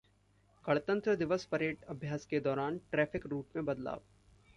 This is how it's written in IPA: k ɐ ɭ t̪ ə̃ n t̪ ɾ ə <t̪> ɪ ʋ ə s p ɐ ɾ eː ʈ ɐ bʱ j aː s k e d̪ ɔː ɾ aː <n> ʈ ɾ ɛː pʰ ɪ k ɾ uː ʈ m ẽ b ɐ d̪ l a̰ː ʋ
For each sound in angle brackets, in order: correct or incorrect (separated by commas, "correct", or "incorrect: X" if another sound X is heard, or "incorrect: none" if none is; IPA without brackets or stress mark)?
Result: incorrect: d̪, correct